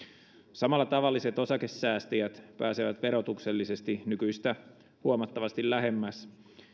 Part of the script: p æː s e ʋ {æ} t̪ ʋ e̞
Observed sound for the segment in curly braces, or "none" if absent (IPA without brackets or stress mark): æ